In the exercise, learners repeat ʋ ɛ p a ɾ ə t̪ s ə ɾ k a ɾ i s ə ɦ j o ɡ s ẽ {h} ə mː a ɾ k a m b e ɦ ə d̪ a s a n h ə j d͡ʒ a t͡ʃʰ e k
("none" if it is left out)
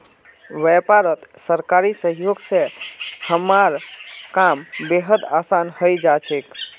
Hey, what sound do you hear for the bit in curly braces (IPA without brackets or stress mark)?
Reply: h